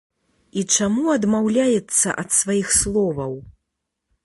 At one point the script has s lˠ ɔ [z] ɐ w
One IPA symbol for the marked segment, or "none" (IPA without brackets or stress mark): v